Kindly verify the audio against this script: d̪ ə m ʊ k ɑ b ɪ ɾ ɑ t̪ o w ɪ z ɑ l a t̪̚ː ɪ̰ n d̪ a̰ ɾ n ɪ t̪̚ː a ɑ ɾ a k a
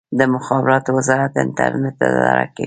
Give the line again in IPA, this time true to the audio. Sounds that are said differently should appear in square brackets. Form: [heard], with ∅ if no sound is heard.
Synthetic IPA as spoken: d̪ ə m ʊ [x] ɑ b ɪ ɾ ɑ t̪ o w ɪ z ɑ [ɾ] a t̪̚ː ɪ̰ n [t̪] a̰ ɾ n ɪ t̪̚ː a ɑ ɾ a k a